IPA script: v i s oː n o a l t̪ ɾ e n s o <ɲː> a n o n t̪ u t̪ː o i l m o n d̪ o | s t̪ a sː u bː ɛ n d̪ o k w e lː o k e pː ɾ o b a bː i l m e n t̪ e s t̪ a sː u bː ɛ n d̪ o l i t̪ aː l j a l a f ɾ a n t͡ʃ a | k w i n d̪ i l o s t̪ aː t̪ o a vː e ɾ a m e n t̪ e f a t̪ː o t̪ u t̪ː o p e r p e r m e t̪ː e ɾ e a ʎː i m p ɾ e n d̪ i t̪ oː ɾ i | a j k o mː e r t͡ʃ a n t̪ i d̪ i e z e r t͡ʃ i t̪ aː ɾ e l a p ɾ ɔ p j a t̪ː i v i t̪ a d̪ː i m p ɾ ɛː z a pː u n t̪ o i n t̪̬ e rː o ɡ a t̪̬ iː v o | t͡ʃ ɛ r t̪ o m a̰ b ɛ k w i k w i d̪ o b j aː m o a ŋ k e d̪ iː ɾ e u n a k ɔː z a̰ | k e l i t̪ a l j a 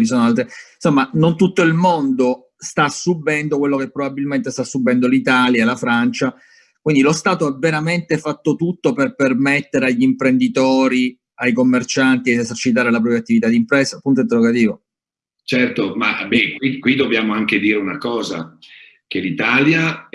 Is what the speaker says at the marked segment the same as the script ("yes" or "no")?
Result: no